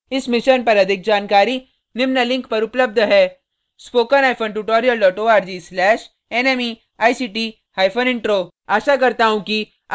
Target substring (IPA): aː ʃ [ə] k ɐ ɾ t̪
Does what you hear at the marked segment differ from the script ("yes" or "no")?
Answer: yes